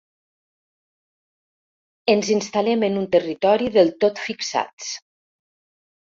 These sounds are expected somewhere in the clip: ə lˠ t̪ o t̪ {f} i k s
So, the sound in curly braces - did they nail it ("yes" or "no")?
yes